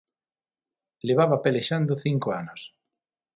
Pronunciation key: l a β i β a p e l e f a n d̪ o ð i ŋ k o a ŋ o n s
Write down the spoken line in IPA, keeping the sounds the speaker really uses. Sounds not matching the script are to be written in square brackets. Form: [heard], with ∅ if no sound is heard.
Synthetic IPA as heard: l [e] β [a] β a p e l e [ʃ] a n d̪ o [θ] i ŋ k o a [n] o [∅] s